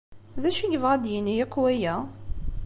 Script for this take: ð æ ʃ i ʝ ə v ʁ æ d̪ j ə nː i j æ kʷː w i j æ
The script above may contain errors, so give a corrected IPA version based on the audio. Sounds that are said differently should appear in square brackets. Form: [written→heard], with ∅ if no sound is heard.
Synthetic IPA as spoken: ð æ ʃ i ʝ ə v ʁ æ d̪ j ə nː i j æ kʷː w [i→æ] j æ